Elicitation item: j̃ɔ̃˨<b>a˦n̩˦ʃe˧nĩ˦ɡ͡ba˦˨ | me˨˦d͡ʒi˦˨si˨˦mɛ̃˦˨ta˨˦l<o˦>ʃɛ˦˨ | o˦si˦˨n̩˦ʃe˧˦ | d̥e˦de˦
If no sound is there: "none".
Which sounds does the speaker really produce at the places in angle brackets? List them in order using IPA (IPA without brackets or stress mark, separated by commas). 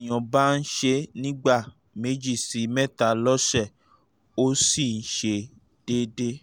b, ɔ˦